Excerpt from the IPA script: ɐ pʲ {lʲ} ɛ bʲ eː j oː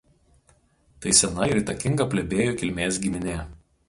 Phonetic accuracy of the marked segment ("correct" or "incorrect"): correct